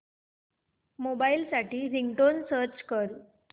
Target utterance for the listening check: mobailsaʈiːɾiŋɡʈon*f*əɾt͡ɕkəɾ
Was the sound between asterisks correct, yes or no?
no